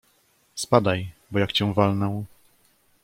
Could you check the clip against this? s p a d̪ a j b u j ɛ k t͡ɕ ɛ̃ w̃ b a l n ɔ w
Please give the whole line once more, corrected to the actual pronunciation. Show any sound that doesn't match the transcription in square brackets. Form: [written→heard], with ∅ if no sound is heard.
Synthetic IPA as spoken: s p a d̪ a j b [u→ɔ] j [ɛ→a] k t͡ɕ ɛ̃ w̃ [b→v] a l n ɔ w